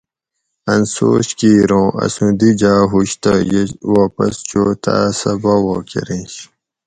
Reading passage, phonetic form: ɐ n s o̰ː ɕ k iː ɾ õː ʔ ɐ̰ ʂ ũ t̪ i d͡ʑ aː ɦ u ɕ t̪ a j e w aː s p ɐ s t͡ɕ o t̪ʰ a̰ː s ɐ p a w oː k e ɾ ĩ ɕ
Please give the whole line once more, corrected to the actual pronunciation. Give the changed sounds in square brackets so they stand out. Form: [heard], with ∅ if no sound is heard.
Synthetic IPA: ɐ n s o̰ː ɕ k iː ɾ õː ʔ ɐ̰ [s] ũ [d̪] i d͡ʑ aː ɦ u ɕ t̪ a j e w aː [∅] p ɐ s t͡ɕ o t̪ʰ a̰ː s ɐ [b] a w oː k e ɾ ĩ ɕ